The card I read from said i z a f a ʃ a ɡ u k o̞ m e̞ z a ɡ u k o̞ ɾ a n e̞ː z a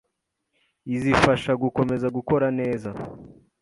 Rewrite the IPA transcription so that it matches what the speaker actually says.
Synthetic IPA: i z i f a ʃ a ɡ u k o̞ m e̞ z a ɡ u k o̞ ɾ a n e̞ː z a